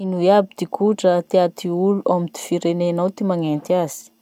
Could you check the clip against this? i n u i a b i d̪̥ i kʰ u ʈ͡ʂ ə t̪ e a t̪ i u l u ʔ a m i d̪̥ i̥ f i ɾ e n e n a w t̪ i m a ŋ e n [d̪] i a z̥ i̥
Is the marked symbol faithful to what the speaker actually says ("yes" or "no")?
no